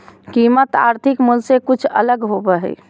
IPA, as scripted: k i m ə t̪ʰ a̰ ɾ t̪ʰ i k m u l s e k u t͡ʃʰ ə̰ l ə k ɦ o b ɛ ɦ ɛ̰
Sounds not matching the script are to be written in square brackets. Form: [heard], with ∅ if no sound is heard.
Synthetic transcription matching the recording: k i m ə [t̪] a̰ ɾ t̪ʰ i k m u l s e k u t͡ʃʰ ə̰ l ə [ɡ] ɦ o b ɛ ɦ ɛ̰